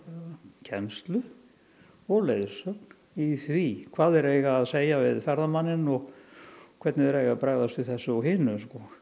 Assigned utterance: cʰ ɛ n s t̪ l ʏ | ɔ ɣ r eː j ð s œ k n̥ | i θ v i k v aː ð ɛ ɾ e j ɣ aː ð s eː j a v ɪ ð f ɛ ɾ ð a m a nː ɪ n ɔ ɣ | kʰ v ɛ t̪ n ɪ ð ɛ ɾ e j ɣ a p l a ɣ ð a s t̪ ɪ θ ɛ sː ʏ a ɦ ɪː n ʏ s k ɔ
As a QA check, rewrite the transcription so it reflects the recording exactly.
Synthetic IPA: cʰ ɛ n s t̪ l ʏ | ɔ ɣ l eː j ð s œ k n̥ | i θ v i kʰ v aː ð ɛ ɾ e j ɣ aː ð s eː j a v ɪ ð f ɛ ɾ ð a m a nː ɪ n ɔ ɣ | kʰ v ɛ t̪ n ɪ ð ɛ ɾ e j ɣ a p ɾ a ɣ ð a s t̪ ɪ θ ɛ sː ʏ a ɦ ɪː n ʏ s k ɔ